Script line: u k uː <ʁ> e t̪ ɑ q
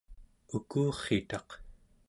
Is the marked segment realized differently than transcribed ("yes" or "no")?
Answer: yes